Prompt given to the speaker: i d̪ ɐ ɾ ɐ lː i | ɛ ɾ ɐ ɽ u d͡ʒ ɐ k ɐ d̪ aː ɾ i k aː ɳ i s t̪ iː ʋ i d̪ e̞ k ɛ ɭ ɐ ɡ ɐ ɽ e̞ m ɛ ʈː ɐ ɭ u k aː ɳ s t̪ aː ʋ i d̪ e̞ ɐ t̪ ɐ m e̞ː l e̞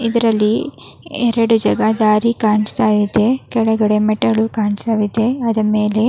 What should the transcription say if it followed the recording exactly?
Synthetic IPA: i d̪ ɐ ɾ ɐ lː i | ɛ ɾ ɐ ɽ u d͡ʒ ɐ ɡ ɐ d̪ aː ɾ i k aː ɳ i s t̪ aː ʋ i d̪ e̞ k ɛ ɭ ɐ ɡ ɐ ɽ e̞ m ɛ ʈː ɐ ɭ u k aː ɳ s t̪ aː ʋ i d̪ e̞ ɐ d̪ ɐ m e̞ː l e̞

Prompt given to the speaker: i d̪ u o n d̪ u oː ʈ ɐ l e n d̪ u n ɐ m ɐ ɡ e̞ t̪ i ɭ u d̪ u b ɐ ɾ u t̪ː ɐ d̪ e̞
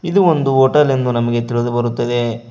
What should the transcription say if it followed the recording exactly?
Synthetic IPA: i d̪ u o n d̪ u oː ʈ ɐ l e n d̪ u n ɐ m ɐ ɡ e̞ t̪ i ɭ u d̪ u b ɐ ɾ u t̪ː ɐ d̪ e̞

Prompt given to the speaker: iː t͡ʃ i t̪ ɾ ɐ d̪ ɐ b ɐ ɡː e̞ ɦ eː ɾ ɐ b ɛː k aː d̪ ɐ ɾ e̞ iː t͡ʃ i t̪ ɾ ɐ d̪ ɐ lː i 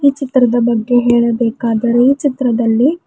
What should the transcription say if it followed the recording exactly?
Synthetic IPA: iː t͡ʃ i t̪ ɾ ɐ d̪ ɐ b ɐ ɡː e̞ ɦ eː ɭ ɐ b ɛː k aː d̪ ɐ ɾ e̞ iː t͡ʃ i t̪ ɾ ɐ d̪ ɐ lː i

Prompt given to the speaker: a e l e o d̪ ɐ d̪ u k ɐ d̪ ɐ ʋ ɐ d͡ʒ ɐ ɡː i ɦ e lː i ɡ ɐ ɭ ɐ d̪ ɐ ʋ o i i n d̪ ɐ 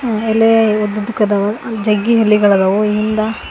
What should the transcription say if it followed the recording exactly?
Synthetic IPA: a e l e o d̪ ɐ d̪ u k ɐ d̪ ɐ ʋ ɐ d͡ʒ ɐ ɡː i ɦ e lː i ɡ ɐ ɭ ɐ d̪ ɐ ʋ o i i n d̪ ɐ

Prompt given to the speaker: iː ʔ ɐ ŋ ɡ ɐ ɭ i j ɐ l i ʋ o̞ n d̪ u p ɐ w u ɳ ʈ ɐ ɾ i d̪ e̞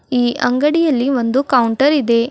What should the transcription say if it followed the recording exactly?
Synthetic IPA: iː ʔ ɐ ŋ ɡ ɐ ɽ i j ɐ lː i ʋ o̞ n d̪ u k ɐ w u ɳ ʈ ɐ ɾ i d̪ e̞

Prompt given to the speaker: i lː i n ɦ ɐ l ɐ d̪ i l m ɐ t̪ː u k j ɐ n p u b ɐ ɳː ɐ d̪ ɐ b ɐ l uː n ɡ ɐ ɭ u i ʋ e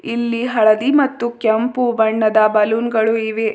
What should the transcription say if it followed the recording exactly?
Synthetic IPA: i lː i ɦ ɐ ɭ ɐ d̪ i m ɐ t̪ː u k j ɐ m p u b ɐ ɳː ɐ d̪ ɐ b ɐ l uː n ɡ ɐ ɭ u i ʋ e

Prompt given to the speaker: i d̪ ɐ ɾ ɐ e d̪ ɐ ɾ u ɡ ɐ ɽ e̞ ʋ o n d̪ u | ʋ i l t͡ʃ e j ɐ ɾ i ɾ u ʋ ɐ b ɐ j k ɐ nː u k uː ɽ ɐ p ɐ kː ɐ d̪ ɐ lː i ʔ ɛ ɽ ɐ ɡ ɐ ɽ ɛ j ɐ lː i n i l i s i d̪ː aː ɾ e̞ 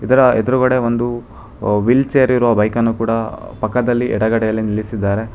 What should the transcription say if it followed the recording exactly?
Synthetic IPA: i d̪ ɐ ɾ ɐ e d̪ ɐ ɾ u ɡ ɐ ɽ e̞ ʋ o n d̪ u | ʋ i l t͡ʃ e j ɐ ɾ i ɾ u ʋ ɐ b ɐ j k ɐ nː u k uː ɽ ɐ p ɐ kː ɐ d̪ ɐ lː i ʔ ɛ ɽ ɐ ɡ ɐ ɽ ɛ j ɐ lː i n i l i s i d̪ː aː ɾ e̞

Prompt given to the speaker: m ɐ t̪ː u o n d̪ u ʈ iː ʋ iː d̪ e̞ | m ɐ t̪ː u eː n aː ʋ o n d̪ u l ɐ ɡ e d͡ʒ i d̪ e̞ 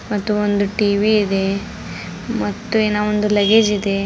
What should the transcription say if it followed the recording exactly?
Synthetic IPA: m ɐ t̪ː u o n d̪ u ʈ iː ʋ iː d̪ e̞ | m ɐ t̪ː u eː n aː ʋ o n d̪ u l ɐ ɡ e d͡ʒ i d̪ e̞

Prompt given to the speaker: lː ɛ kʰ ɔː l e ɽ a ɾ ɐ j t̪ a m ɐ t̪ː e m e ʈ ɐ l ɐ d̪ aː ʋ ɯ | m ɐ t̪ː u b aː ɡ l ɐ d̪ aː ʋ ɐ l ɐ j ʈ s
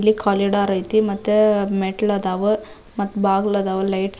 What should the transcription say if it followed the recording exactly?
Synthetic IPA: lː i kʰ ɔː l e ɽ a ɾ ɐ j t̪ i m ɐ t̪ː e m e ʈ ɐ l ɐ d̪ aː ʋ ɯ | m ɐ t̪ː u b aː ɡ l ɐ d̪ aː ʋ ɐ l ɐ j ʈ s

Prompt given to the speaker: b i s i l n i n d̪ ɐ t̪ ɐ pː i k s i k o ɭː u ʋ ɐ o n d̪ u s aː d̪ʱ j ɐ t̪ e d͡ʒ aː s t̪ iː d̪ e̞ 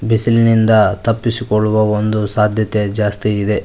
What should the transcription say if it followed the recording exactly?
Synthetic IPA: b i s i l n i n d̪ ɐ t̪ ɐ pː i s i k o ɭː u ʋ ɐ o n d̪ u s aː d̪ʱ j ɐ t̪ e d͡ʒ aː s t̪ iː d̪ e̞

